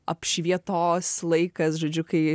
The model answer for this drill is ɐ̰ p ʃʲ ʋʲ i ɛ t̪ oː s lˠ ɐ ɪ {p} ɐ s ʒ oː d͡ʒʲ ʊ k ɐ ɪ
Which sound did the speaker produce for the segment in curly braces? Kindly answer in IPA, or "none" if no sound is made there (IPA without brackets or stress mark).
k